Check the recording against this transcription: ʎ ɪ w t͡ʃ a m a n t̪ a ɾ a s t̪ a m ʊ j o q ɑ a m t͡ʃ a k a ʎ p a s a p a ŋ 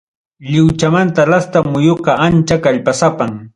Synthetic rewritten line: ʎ ɪ w t͡ʃ a m a n t̪ a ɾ a s t̪ a m ʊ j o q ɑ a n t͡ʃ a k a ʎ p a s a p a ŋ